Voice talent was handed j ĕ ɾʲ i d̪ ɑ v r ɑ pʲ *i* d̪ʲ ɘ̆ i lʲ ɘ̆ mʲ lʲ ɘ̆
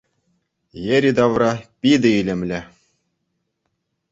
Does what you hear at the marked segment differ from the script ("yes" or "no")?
no